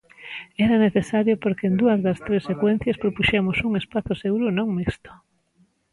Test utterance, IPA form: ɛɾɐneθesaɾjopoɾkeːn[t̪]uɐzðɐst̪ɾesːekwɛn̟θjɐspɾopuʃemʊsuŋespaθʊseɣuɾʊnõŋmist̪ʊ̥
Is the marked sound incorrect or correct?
incorrect